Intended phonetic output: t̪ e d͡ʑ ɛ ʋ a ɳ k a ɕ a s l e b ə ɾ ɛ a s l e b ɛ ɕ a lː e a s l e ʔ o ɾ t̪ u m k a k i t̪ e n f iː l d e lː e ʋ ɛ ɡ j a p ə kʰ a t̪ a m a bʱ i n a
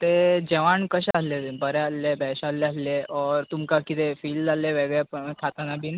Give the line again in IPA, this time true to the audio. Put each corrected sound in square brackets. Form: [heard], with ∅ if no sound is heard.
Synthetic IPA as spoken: t̪ e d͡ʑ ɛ ʋ a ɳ k [ə] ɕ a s l e b ə ɾ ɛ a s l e b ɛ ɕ a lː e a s l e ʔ [ɔ] ɾ t̪ u m k a k i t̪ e [∅] f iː l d [a] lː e ʋ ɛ ɡ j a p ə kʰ a t̪ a [n] a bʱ i n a